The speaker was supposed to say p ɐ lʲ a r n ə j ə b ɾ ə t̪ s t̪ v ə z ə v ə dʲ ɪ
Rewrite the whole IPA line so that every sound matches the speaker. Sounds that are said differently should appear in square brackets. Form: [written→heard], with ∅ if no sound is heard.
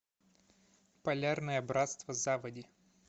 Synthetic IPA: p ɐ lʲ a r n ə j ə b ɾ [ə→a] t̪ s t̪ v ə z [ə→a] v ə dʲ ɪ